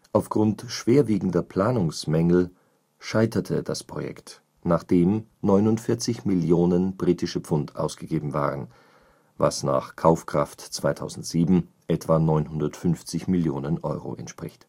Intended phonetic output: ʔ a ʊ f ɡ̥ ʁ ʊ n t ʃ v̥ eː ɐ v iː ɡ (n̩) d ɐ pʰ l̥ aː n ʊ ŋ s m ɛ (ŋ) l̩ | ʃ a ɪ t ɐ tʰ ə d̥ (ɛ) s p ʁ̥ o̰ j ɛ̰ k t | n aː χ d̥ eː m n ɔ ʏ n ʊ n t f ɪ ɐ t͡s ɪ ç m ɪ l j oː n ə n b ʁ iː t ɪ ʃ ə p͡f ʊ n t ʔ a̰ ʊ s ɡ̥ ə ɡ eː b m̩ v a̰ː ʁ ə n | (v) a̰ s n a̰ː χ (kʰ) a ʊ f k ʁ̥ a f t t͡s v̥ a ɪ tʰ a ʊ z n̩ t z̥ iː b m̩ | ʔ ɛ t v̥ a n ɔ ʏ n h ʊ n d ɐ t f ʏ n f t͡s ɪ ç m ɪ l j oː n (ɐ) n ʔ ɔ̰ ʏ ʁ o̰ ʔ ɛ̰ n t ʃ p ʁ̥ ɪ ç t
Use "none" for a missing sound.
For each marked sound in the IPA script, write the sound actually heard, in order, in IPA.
ŋ̩, ŋ, a, v, kʰ, ə

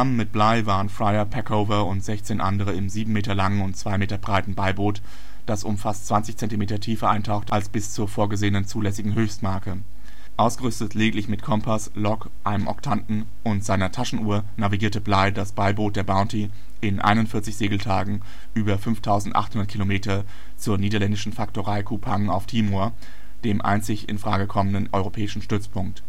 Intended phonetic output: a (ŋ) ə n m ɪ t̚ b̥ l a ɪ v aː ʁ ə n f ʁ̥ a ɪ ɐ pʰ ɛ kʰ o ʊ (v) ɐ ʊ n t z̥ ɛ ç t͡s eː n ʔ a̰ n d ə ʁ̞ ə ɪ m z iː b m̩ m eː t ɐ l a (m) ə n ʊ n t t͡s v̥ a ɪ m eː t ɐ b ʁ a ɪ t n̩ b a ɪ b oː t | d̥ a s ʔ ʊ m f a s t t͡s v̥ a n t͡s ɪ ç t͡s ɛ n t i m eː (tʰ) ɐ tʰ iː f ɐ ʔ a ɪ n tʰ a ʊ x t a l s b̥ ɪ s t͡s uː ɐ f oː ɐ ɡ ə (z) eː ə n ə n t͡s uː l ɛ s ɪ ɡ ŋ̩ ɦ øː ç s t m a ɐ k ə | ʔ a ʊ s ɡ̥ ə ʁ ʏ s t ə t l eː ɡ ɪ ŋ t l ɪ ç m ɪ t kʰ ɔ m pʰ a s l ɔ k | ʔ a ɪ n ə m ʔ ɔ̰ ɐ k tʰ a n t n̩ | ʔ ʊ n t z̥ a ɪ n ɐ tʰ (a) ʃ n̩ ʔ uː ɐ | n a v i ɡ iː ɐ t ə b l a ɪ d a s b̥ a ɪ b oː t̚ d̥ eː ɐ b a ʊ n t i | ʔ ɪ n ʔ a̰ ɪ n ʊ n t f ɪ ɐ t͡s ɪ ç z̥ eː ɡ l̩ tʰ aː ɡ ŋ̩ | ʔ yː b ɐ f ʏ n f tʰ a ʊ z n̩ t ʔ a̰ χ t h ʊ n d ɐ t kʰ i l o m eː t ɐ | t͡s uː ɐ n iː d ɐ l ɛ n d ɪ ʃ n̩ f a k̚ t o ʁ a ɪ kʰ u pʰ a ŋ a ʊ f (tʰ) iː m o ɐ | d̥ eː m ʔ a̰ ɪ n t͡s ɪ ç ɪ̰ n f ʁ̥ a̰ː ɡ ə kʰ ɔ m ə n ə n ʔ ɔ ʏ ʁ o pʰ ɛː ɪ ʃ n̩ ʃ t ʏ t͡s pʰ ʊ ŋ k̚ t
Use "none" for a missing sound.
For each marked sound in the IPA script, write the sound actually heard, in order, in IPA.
m, v, ŋ, t, z, a, tʰ

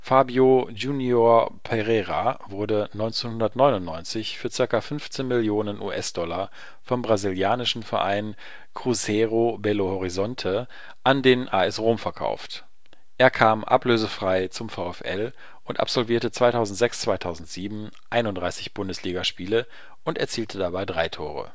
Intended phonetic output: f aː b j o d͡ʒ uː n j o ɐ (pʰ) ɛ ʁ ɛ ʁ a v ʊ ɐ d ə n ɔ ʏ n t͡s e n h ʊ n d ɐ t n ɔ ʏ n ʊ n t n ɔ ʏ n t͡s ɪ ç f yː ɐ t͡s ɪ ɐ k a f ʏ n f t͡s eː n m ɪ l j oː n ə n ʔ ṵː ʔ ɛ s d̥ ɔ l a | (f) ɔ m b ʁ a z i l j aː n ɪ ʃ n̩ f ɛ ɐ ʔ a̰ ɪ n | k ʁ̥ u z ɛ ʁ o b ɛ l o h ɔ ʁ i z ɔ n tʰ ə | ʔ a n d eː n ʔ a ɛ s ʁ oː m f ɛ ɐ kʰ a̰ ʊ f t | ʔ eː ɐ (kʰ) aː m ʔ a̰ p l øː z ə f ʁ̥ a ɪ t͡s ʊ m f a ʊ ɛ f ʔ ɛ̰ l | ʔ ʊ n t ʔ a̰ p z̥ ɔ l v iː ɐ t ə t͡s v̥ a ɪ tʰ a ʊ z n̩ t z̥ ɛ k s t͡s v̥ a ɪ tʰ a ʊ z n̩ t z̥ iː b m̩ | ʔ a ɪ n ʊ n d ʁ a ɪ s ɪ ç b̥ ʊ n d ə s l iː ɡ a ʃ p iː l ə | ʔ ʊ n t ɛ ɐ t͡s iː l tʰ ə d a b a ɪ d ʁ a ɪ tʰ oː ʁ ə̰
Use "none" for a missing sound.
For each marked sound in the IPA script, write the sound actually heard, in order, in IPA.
pʰ, f, kʰ

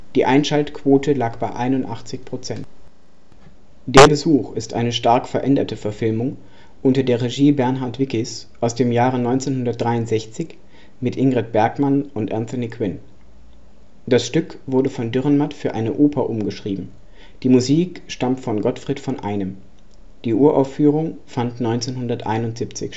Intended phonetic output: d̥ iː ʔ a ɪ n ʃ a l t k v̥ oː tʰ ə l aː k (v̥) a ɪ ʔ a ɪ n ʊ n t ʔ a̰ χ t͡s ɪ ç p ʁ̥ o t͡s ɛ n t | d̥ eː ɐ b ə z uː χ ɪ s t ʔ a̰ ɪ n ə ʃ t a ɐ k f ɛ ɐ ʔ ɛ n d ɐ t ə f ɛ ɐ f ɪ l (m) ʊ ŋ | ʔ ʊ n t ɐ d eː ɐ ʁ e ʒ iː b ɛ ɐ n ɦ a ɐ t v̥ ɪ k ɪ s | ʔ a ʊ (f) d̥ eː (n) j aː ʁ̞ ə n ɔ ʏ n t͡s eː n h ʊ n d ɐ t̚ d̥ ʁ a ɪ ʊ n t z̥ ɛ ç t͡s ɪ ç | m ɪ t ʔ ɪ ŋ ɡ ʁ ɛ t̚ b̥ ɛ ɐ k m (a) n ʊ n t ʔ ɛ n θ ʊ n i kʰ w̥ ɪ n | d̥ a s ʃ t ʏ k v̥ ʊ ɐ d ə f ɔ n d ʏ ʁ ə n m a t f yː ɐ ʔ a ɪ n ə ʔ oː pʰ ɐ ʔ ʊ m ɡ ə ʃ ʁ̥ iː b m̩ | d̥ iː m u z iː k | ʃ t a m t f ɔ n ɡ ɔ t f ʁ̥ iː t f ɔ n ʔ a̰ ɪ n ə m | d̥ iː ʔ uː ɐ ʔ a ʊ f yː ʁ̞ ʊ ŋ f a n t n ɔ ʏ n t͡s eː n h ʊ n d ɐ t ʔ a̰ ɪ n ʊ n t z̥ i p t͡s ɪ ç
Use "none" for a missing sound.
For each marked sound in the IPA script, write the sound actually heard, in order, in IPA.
b̥, m, s, m, a

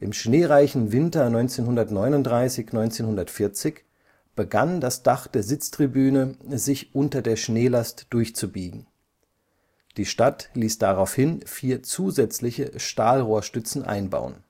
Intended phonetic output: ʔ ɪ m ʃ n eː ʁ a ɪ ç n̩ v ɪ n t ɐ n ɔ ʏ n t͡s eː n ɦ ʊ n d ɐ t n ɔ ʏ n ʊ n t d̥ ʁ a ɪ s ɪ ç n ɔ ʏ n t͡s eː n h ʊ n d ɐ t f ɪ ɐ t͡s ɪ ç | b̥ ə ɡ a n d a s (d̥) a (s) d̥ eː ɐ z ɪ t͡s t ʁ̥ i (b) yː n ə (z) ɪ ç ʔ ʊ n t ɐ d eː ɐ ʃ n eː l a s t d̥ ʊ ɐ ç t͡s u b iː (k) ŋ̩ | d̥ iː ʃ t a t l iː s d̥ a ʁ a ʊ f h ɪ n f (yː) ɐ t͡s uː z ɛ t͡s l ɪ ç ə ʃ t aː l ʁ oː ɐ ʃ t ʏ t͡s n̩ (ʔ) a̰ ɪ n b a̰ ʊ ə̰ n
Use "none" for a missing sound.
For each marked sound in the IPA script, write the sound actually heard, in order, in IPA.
d̥, χ, b, z, ɡ, iː, ʔ

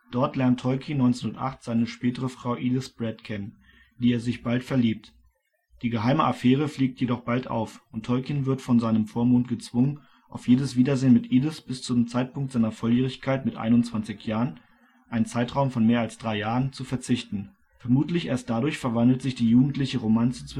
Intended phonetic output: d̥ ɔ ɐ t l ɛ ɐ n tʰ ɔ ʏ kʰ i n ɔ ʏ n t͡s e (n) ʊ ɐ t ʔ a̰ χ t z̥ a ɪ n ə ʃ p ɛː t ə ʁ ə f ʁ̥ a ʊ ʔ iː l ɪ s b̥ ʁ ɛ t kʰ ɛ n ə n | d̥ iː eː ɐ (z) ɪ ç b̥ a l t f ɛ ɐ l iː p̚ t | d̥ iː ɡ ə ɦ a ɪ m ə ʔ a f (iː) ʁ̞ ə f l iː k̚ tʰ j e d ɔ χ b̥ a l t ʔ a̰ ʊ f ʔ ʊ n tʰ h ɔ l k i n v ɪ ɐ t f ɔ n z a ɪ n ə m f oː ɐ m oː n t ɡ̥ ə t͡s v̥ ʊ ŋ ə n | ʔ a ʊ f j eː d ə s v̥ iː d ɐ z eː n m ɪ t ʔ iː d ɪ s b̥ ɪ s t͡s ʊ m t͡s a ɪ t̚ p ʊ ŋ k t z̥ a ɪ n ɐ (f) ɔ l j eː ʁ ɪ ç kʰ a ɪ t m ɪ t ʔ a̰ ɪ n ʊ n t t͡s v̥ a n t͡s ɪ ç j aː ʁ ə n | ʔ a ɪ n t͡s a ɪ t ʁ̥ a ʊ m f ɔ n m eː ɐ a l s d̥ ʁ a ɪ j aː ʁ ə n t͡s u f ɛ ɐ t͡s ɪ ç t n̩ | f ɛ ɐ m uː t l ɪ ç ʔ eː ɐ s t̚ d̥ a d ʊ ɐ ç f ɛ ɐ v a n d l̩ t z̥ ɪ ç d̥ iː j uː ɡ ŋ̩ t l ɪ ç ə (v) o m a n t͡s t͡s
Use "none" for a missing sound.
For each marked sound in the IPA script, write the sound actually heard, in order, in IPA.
n, z, ɛː, f, ʁ

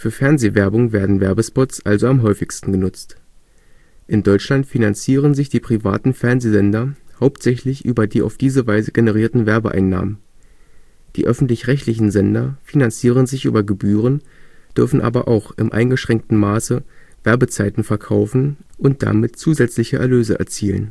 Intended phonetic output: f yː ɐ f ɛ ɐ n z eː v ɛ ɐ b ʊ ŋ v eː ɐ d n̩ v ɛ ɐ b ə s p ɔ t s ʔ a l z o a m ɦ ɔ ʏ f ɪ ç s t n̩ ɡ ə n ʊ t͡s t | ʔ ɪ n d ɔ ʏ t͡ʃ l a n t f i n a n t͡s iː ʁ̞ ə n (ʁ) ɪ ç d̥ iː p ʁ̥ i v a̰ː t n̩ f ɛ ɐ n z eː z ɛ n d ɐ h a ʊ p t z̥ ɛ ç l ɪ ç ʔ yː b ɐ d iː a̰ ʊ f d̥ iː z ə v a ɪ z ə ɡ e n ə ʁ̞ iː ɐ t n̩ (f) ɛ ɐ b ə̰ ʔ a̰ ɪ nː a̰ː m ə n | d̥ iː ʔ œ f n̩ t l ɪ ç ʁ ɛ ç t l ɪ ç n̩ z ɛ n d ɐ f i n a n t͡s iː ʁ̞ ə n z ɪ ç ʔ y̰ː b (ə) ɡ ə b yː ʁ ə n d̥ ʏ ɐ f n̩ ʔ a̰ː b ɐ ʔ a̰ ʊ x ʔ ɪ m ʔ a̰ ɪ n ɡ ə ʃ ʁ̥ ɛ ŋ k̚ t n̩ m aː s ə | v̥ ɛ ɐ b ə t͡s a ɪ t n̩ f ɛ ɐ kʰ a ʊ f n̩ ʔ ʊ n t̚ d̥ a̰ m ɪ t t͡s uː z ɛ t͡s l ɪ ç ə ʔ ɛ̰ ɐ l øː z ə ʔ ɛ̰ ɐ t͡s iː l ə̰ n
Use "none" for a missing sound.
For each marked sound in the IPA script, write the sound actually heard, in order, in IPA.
z, v, ɐ

